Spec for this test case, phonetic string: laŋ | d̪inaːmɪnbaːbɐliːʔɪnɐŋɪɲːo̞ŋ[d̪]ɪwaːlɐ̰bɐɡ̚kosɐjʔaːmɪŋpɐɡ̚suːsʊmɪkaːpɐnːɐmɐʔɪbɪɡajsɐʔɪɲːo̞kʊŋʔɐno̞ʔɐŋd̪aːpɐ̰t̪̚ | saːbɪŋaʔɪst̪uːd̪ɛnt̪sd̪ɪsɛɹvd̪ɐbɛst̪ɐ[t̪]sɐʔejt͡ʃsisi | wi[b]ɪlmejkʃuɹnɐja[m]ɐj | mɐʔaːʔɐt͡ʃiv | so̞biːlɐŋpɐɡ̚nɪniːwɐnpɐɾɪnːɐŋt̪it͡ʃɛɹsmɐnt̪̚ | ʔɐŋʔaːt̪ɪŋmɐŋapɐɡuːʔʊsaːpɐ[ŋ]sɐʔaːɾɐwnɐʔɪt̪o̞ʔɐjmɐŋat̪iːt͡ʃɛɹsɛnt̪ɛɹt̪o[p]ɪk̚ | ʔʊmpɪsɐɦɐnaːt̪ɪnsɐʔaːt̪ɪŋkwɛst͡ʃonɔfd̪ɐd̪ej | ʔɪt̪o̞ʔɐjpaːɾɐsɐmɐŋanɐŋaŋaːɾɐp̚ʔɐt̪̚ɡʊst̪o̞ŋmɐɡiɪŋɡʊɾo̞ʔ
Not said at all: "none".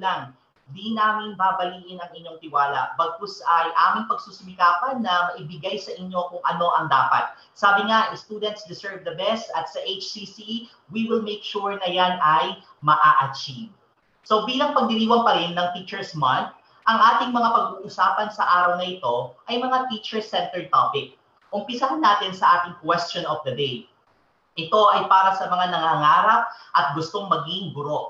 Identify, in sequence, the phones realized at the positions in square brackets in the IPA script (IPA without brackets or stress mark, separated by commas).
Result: t̪, t̪, w, n, n, p